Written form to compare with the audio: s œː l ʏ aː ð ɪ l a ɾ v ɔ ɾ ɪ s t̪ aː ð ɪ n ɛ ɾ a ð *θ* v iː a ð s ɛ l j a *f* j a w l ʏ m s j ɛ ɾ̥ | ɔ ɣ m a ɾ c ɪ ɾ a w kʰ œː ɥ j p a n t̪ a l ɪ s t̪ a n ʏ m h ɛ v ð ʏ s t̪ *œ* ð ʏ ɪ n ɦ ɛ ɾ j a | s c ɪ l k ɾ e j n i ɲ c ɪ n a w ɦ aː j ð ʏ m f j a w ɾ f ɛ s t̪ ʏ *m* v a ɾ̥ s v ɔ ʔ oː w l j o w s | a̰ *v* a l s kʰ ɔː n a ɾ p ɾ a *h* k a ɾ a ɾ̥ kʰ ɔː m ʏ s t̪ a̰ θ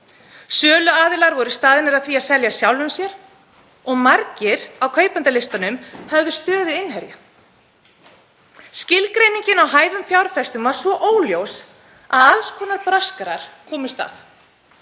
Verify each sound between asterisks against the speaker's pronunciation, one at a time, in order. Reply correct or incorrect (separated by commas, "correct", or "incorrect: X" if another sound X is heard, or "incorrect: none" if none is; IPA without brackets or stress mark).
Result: correct, incorrect: s, incorrect: œː, correct, incorrect: ð, incorrect: s